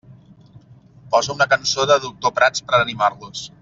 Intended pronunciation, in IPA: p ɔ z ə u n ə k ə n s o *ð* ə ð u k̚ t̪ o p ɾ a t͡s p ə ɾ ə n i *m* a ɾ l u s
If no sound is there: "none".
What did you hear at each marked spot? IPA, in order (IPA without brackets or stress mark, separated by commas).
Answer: ð, m